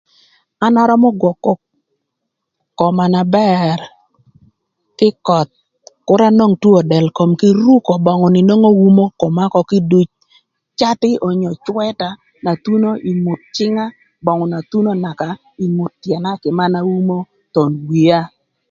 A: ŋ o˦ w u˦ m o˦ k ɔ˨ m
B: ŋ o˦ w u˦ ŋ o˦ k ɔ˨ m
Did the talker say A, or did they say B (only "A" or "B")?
A